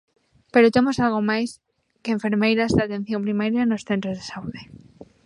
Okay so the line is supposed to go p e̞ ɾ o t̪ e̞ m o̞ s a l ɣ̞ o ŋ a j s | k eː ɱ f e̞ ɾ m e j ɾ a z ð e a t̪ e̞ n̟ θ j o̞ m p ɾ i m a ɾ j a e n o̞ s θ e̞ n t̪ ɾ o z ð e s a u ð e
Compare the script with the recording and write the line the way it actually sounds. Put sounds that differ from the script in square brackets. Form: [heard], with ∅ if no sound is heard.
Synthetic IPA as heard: p e̞ ɾ o t̪ e̞ m o̞ s a l ɣ̞ o [m] a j s | k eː ɱ f e̞ ɾ m e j ɾ a z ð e a t̪ e̞ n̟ θ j o̞ m p ɾ i m a ɾ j a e n o̞ s θ e̞ n t̪ ɾ o z ð e s a u ð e